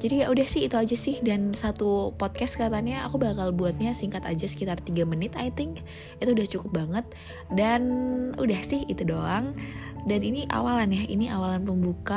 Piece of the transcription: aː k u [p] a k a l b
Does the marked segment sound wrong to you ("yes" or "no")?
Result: yes